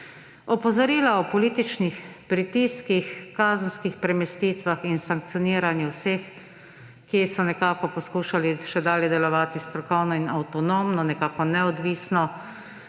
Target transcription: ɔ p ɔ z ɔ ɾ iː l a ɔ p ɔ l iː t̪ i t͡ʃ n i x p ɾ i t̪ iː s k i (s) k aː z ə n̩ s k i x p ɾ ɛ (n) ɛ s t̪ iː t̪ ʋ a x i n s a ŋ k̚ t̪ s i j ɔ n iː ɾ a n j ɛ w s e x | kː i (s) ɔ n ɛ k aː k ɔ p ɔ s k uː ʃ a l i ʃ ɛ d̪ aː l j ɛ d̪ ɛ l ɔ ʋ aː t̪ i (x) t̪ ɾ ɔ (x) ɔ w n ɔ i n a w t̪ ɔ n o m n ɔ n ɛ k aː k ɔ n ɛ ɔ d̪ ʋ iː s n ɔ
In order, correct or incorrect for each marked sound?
incorrect: x, incorrect: m, correct, incorrect: s, incorrect: k

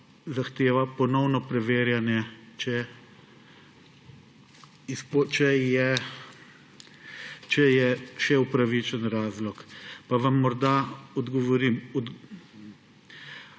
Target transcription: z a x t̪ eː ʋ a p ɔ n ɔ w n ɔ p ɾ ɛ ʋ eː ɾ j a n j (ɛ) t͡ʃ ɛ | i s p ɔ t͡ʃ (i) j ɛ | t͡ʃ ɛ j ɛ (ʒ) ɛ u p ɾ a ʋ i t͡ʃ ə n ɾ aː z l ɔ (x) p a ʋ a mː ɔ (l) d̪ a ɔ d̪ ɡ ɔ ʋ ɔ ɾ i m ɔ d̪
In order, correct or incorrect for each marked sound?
correct, incorrect: ɛ, incorrect: ʃ, incorrect: k, incorrect: ɾ

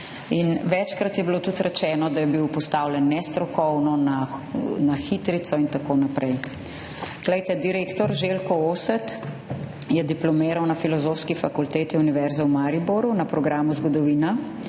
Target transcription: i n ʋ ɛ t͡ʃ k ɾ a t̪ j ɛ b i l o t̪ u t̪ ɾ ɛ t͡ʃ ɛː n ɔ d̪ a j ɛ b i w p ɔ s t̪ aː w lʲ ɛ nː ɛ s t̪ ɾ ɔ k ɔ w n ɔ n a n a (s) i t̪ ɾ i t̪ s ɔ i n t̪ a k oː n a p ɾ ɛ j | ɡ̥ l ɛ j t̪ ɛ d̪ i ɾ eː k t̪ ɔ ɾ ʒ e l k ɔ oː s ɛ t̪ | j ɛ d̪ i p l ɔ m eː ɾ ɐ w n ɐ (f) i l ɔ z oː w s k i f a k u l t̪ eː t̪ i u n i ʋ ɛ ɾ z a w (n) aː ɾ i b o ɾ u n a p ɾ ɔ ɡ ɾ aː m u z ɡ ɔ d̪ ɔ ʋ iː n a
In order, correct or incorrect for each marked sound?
incorrect: x, correct, incorrect: m

